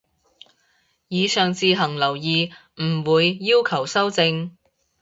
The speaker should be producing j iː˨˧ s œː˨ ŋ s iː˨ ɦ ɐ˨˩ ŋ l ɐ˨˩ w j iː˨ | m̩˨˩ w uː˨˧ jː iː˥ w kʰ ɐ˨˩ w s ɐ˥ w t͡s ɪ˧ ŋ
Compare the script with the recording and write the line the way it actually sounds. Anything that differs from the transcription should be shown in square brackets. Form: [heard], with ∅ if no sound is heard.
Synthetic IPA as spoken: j iː˨˧ s œː˨ ŋ [t͡s] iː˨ ɦ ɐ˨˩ ŋ l ɐ˨˩ w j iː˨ | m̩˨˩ w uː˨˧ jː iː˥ w kʰ ɐ˨˩ w s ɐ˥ w t͡s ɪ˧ ŋ